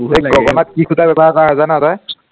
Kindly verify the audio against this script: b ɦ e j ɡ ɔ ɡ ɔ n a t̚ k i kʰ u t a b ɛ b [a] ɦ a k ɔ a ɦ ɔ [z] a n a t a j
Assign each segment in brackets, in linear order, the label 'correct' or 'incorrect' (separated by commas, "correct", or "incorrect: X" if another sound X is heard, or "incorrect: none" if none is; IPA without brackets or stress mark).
correct, correct